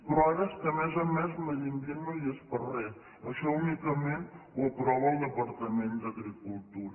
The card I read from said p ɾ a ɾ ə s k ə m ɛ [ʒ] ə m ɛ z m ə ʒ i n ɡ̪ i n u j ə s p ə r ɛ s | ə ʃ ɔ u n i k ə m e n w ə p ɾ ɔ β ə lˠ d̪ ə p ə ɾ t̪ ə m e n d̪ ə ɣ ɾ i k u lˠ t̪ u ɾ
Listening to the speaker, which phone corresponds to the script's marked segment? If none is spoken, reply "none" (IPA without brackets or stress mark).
z